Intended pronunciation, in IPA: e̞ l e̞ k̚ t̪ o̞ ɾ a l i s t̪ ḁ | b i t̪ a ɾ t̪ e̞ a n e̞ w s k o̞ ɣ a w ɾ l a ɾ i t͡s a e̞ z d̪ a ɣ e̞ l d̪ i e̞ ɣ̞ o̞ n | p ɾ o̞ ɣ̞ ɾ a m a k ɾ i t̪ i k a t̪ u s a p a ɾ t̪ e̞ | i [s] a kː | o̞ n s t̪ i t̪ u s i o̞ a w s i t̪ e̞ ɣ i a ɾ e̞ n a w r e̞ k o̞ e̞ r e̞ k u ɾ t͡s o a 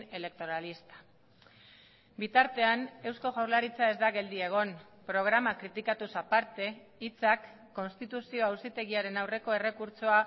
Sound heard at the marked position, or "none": t͡s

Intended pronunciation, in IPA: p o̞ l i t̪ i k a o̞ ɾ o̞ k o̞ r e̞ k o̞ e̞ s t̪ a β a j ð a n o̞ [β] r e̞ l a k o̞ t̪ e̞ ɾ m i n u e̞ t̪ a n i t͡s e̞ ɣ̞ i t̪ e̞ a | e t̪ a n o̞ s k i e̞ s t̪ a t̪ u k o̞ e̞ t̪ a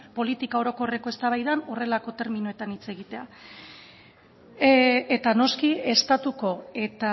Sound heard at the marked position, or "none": none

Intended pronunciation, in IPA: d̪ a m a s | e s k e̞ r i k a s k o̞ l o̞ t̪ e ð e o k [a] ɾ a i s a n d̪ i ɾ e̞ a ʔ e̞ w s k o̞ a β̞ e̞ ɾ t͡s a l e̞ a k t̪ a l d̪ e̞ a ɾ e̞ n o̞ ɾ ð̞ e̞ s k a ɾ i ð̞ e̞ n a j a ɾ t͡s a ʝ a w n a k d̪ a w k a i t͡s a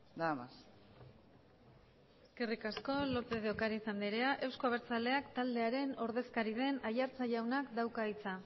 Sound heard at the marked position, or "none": a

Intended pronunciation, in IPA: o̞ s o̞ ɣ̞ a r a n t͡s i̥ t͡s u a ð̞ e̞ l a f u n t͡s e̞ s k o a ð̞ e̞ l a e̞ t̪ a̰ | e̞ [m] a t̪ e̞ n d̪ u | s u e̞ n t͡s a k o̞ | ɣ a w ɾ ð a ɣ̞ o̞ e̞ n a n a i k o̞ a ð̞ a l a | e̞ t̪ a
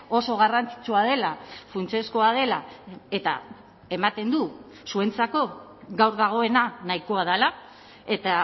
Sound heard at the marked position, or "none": m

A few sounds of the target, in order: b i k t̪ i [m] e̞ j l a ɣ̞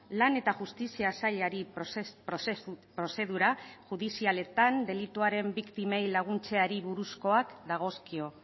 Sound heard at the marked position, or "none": m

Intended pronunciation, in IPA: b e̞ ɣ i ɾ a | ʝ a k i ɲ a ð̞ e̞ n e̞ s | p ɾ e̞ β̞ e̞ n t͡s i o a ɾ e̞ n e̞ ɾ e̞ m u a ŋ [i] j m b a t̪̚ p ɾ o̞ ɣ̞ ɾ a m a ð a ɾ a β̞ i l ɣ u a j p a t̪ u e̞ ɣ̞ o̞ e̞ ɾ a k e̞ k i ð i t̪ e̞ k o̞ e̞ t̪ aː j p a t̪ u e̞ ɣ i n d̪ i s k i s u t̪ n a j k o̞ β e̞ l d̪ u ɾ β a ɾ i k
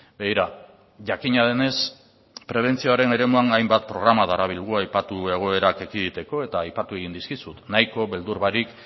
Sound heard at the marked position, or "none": a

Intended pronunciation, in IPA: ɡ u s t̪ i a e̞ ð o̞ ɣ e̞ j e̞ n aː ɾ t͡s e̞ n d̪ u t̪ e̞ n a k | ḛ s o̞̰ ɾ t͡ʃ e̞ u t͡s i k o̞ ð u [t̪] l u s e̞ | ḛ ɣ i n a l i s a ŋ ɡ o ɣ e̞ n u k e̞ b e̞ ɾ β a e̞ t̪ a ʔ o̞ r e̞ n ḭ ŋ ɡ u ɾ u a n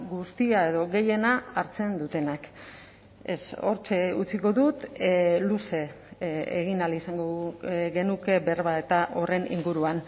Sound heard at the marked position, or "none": t̪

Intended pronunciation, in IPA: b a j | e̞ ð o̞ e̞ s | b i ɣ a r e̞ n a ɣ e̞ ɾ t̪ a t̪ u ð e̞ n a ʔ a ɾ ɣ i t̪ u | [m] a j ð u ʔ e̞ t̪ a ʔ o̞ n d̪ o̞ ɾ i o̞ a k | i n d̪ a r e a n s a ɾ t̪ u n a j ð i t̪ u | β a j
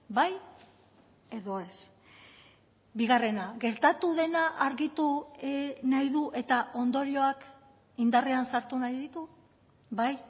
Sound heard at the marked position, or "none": n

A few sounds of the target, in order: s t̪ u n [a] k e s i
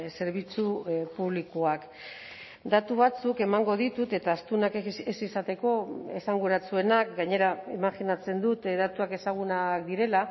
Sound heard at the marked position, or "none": a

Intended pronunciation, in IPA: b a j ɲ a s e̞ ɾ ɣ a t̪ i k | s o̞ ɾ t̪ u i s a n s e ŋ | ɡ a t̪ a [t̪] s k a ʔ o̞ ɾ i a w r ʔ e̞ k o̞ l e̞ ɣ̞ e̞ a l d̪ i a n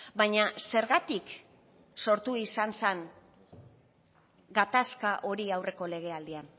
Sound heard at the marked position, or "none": none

